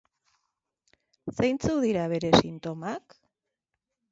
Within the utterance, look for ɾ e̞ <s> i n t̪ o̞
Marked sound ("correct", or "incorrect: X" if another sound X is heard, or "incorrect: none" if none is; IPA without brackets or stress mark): correct